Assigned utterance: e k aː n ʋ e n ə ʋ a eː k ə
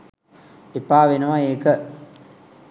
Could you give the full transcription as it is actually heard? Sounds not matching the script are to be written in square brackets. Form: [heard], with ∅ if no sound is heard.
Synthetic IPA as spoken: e [p] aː [∅] ʋ e n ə ʋ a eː k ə